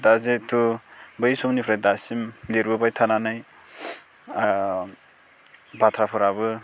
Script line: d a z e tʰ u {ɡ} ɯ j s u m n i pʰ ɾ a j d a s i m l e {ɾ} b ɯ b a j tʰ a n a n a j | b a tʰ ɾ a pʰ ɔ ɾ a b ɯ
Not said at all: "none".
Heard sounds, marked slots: b, ɾ

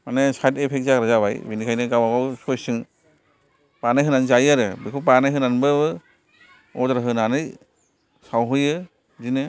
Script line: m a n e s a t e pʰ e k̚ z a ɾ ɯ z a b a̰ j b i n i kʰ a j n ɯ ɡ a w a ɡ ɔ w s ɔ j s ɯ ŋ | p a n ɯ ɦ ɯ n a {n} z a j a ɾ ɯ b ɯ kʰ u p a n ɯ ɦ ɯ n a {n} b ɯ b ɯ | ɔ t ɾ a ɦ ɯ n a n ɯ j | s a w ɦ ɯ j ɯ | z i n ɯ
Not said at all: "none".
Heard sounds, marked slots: n, n

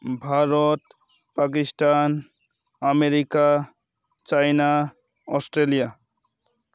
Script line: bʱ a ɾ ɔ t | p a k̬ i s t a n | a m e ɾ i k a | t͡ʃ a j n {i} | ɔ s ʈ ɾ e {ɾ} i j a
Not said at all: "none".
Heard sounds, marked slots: a, l

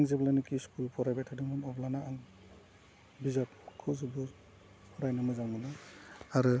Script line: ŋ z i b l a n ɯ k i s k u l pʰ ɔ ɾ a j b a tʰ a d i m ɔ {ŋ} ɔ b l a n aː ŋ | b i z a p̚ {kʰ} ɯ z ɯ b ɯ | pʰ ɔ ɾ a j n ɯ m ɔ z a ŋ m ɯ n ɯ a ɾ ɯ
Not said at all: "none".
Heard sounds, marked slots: n, kʰ

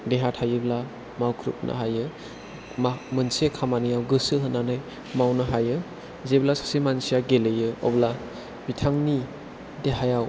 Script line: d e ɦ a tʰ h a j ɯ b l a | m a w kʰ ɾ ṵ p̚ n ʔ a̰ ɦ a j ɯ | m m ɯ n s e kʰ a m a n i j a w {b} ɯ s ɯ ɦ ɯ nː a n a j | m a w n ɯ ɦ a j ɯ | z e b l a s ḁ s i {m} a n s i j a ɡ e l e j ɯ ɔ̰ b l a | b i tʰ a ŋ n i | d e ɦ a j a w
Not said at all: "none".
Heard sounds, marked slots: ɡ, m

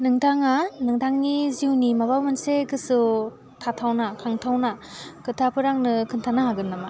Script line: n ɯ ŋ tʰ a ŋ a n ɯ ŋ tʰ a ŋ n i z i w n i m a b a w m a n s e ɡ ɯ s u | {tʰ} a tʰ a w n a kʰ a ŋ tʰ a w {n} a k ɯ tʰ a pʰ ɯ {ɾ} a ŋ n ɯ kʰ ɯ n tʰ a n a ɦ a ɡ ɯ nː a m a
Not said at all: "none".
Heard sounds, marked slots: tʰ, n, ɾ

